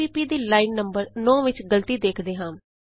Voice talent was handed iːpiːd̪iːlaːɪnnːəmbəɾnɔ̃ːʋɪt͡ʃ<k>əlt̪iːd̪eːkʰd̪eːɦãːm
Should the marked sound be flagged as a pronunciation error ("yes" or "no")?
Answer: yes